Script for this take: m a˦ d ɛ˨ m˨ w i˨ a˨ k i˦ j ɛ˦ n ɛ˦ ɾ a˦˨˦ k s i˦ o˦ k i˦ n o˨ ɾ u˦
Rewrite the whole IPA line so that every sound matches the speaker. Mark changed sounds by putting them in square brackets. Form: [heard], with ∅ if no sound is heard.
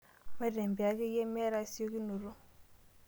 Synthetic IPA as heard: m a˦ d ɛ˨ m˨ [b] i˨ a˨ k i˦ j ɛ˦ [m] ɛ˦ ɾ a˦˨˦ [∅] s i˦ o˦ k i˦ n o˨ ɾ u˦